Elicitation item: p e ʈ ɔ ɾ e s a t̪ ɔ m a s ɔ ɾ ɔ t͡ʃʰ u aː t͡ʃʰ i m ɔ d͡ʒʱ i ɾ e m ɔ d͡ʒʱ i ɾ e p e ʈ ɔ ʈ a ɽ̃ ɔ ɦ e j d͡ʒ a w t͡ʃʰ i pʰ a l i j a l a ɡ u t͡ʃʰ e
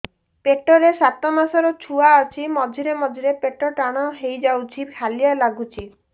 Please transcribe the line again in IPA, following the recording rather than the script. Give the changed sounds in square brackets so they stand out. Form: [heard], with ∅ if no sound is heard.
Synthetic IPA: p e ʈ ɔ ɾ e s a t̪ ɔ m a s ɔ ɾ ɔ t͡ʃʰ u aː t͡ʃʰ i m ɔ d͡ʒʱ i ɾ e m ɔ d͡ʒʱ i ɾ e p e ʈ ɔ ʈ a ɽ̃ ɔ ɦ e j d͡ʒ a w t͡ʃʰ i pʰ a l i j a l a ɡ u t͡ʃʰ [i]